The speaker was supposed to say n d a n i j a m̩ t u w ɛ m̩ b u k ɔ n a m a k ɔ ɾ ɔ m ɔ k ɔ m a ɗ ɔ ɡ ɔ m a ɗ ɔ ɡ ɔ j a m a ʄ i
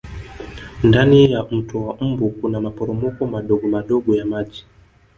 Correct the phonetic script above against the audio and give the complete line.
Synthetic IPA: n d a n i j a m̩ t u w a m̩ b u k u n a m a p ɔ ɾ ɔ m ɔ k ɔ m a ɗ ɔ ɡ ɔ m a ɗ ɔ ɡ ɔ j a m a ʄ i